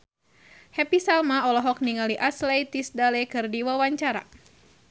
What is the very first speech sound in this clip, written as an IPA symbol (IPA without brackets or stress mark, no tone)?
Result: h